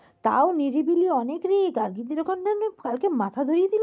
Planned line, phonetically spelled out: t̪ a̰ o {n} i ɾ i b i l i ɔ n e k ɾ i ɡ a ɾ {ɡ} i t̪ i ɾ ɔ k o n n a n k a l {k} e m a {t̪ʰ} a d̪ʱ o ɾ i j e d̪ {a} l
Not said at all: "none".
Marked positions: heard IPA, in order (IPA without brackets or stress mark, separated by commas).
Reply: n, ɡ, k, t̪ʰ, i